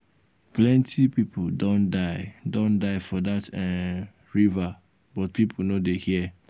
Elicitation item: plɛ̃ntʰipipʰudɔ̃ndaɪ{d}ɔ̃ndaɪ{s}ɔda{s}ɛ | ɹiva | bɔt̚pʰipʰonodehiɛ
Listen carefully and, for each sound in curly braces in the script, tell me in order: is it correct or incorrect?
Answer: correct, incorrect: f, incorrect: t

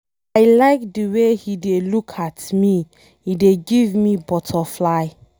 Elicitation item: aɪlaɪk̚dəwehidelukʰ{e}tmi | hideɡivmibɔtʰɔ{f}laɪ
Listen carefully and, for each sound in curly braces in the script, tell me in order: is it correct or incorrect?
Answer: incorrect: a, correct

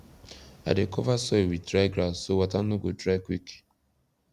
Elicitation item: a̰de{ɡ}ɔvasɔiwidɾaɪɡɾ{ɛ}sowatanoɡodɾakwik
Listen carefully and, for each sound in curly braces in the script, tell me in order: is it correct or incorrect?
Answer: incorrect: k, incorrect: a

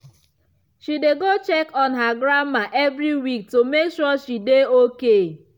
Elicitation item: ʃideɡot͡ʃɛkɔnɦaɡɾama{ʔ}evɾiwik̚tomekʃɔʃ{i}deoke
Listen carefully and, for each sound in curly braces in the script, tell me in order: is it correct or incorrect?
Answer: correct, correct

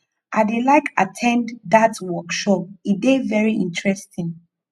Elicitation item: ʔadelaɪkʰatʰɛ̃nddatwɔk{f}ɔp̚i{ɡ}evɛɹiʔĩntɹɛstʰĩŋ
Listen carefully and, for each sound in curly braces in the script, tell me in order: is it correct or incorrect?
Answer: incorrect: ʃ, incorrect: d

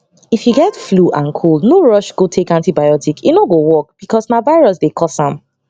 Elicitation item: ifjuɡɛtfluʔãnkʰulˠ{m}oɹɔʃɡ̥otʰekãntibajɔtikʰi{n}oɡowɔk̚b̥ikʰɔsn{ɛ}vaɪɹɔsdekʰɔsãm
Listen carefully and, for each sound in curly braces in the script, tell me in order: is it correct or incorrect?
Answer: incorrect: n, correct, incorrect: a

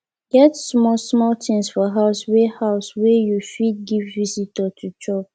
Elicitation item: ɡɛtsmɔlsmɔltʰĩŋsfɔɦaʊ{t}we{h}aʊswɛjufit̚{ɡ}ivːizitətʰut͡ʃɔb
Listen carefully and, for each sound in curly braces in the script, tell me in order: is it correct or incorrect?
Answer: incorrect: s, correct, correct

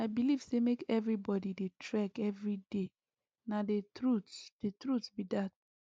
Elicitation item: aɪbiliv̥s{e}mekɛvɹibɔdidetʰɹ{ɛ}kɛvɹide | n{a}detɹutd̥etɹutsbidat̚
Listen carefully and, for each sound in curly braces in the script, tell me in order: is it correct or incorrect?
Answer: correct, correct, correct

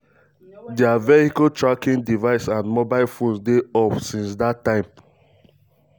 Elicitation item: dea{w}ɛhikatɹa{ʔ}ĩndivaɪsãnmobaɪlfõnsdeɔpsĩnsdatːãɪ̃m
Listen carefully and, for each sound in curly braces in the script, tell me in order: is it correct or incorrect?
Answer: incorrect: v, incorrect: k

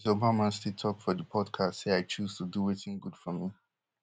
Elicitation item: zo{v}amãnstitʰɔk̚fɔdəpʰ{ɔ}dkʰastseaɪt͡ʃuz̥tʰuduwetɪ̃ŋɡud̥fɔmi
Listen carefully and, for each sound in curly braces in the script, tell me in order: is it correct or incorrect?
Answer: incorrect: b, correct

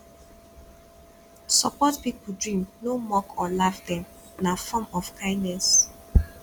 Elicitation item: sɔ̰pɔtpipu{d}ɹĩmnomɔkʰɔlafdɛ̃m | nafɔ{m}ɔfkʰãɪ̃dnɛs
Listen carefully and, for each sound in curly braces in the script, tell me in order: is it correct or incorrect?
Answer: correct, correct

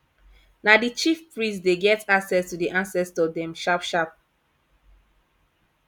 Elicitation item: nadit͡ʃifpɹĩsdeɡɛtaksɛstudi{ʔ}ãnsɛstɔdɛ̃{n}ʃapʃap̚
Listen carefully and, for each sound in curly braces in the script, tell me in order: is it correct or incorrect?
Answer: correct, incorrect: m

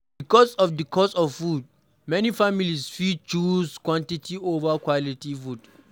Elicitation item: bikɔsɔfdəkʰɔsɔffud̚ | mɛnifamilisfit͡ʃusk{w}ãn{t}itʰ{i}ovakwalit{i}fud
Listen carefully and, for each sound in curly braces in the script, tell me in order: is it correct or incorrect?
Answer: correct, correct, correct, correct

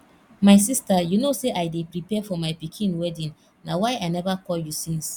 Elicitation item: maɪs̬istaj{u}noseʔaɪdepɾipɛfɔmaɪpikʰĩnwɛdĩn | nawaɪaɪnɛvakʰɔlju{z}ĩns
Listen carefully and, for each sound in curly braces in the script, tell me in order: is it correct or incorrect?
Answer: correct, incorrect: s

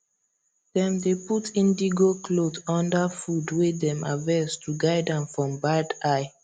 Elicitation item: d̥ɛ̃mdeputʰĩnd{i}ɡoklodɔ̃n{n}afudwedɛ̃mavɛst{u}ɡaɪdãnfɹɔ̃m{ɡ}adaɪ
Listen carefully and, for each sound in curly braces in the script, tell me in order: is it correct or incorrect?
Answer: correct, incorrect: d, correct, incorrect: b

